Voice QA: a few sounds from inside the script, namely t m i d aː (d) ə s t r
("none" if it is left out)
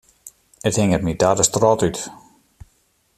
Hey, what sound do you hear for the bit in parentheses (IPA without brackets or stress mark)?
d